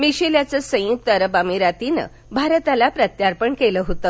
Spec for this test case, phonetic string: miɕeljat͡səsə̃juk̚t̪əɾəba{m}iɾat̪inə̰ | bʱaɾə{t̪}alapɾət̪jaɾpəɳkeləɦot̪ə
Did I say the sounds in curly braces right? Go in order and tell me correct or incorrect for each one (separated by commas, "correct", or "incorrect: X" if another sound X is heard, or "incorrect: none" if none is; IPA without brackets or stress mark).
correct, correct